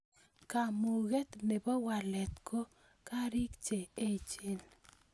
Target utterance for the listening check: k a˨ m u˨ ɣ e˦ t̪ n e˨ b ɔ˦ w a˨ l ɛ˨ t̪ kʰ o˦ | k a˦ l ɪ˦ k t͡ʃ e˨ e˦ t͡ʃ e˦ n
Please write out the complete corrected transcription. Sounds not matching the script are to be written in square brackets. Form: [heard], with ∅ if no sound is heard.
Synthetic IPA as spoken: k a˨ m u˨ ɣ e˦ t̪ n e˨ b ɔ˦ w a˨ l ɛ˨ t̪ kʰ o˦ | k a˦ [ɾ] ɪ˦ k t͡ʃ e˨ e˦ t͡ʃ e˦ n